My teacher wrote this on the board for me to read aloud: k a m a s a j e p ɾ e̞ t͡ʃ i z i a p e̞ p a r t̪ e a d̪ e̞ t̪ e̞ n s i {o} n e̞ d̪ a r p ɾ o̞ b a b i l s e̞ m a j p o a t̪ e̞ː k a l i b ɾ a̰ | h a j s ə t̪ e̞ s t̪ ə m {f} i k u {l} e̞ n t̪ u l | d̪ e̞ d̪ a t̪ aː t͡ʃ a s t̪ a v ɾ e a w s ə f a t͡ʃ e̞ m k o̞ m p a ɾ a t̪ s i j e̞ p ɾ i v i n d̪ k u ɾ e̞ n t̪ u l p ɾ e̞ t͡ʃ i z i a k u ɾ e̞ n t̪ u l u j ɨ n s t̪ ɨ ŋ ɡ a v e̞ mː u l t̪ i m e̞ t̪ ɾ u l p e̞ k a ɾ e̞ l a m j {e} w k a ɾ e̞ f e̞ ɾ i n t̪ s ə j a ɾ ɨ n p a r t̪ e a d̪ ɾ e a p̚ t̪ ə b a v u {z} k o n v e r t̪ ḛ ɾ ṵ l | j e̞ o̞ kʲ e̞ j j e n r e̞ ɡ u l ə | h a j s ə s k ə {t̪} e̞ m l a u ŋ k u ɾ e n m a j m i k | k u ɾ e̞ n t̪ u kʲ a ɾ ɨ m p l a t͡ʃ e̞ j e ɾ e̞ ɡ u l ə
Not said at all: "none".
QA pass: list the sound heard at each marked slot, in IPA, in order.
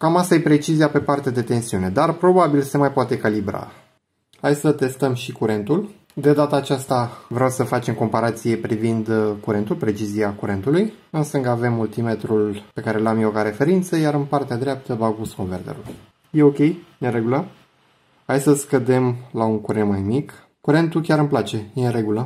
u, ʃ, ɾ, e, s, d̪

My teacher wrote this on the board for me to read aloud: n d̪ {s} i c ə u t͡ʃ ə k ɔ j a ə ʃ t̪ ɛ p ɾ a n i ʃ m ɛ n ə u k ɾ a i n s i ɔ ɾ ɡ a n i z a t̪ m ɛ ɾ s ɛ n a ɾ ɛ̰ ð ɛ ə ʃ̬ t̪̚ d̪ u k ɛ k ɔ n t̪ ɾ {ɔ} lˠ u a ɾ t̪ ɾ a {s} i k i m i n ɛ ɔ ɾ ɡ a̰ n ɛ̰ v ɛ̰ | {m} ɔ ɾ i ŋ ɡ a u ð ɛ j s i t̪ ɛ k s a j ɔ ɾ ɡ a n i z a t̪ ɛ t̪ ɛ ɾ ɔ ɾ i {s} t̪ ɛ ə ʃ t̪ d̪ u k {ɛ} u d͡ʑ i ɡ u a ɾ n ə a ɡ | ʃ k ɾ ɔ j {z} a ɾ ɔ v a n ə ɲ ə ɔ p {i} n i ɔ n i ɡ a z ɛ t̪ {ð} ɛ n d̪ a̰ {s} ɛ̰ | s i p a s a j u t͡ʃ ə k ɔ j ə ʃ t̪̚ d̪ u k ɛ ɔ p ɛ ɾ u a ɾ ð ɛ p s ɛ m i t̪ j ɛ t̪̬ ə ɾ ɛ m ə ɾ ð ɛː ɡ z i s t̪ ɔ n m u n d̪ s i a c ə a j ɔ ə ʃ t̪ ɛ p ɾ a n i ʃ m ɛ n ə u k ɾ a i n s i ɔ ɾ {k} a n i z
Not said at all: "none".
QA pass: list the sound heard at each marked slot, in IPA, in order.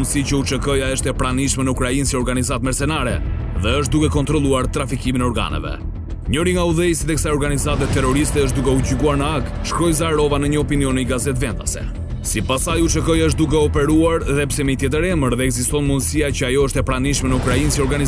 s, ɔ, f, ɲ, s, ɛ, z, i, v, s, ɡ

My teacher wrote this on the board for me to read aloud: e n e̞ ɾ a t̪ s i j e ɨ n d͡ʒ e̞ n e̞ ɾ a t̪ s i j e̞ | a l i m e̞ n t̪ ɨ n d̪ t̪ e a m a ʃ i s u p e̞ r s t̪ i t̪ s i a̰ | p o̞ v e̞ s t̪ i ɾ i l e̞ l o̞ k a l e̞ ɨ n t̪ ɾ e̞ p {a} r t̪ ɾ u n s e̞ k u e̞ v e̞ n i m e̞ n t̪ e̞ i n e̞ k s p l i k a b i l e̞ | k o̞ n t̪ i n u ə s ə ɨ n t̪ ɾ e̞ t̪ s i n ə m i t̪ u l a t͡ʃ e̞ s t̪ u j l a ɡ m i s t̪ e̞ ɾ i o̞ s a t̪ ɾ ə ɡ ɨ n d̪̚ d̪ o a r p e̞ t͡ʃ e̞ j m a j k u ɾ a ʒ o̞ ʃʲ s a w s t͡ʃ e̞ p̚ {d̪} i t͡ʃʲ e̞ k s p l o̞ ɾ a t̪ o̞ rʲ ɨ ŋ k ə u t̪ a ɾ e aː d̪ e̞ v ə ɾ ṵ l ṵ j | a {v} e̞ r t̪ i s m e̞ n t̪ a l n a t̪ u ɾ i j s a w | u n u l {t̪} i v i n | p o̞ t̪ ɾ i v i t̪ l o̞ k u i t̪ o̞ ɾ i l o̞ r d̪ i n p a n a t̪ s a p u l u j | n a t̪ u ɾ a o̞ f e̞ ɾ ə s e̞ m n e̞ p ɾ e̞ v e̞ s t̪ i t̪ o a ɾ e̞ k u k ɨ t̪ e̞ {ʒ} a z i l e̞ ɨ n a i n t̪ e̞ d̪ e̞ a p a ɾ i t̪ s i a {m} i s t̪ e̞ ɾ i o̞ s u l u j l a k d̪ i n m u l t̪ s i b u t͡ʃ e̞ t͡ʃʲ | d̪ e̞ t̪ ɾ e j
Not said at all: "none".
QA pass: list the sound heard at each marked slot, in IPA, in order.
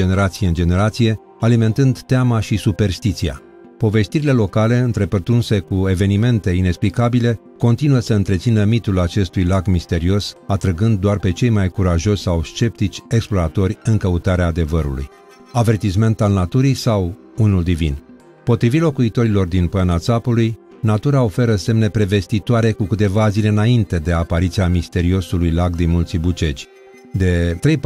ə, t̪, v, d̪, v, m

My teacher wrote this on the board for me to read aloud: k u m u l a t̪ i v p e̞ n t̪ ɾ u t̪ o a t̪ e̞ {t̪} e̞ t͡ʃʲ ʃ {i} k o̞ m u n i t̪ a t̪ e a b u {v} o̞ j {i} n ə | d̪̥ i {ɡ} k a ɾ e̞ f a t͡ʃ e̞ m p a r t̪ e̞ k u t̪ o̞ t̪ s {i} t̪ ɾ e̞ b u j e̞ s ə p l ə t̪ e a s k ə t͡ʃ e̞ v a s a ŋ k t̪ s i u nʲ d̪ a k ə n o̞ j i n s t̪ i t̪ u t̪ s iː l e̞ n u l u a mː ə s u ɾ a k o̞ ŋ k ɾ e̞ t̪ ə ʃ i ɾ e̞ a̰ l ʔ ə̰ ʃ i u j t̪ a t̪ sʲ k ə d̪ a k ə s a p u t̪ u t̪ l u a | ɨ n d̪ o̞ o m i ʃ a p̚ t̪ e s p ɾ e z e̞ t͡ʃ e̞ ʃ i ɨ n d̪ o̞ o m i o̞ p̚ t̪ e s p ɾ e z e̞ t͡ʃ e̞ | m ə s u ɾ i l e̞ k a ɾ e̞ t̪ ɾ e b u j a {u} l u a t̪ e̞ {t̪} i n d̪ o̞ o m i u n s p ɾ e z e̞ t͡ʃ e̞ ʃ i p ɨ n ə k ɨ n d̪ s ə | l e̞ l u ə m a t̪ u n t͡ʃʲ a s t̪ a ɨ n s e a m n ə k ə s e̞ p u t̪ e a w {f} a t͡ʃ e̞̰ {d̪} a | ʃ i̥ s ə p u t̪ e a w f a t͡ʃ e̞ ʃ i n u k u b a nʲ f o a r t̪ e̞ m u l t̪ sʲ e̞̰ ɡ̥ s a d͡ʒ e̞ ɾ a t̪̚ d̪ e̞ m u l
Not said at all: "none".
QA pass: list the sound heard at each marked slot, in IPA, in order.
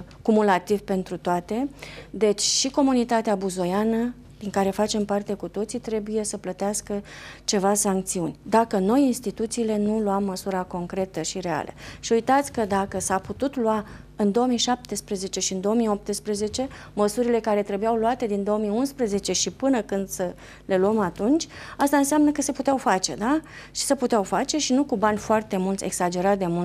d̪, i, z, a, ŋ, i, w, d̪, f, d̪

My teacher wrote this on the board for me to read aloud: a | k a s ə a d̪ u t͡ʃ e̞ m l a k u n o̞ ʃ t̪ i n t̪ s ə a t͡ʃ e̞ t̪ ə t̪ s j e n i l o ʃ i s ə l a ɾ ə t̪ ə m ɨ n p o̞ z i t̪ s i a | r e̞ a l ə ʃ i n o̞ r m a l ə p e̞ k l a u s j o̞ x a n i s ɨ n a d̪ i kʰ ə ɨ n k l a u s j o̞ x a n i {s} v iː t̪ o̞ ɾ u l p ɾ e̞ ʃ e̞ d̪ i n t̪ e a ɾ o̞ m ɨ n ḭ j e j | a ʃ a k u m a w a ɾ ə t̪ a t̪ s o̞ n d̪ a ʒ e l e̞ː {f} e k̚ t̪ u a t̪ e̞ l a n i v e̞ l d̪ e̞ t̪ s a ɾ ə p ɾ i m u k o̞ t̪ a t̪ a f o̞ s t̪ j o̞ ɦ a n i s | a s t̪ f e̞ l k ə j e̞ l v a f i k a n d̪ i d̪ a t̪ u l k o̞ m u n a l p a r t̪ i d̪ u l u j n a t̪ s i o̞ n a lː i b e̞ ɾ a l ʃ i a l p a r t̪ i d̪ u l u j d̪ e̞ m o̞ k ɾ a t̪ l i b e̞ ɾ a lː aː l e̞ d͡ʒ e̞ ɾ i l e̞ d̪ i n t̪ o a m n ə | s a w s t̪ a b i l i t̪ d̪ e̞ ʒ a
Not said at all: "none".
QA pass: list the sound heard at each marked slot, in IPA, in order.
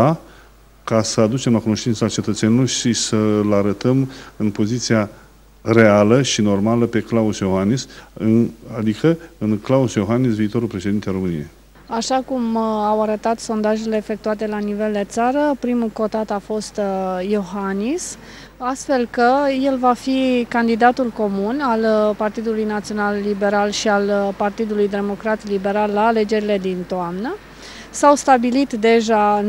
s, f

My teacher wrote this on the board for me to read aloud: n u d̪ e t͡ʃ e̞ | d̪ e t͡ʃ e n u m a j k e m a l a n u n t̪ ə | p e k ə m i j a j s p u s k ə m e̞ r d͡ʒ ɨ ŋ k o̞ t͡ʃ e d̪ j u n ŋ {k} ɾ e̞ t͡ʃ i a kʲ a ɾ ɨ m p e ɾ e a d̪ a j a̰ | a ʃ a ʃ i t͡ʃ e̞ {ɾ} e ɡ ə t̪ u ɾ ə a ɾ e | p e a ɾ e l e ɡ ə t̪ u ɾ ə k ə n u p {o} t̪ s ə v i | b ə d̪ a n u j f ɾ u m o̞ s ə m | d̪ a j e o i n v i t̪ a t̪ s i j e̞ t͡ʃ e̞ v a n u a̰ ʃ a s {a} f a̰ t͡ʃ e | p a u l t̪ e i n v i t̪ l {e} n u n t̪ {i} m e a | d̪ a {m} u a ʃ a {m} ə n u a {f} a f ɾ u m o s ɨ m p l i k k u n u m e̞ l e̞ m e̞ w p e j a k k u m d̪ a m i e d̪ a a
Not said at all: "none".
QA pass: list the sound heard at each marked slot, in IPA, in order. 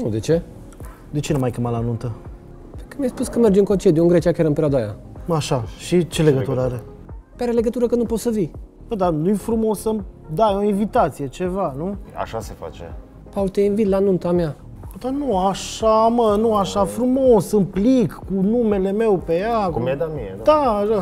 ɡ, l, o, e, a, a, n, m, ʃ

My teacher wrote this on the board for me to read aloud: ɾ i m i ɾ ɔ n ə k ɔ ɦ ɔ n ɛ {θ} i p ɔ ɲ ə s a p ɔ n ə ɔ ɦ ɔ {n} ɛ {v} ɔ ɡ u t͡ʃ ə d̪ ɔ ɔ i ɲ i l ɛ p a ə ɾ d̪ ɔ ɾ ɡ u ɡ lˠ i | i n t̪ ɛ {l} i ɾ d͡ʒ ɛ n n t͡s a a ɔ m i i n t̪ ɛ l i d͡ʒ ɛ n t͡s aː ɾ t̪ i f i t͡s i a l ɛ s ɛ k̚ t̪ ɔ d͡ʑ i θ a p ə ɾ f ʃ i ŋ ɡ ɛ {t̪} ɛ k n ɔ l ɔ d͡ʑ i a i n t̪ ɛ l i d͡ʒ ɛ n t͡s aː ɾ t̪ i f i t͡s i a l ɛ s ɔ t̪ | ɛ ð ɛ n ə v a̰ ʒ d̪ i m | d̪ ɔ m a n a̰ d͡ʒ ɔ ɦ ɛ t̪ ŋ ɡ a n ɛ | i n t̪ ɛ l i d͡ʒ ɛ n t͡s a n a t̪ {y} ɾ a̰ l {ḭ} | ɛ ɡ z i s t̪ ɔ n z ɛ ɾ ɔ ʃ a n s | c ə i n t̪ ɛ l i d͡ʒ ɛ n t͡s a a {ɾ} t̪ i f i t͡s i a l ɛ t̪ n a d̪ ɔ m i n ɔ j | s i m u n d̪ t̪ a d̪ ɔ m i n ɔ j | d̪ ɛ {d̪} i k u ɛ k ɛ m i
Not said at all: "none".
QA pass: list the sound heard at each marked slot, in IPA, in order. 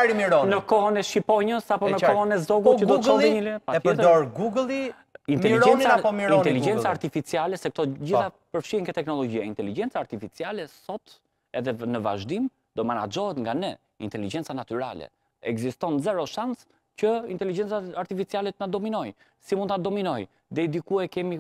ʃ, n, z, l, t̪, y, ɛ̰, ɾ, d̪

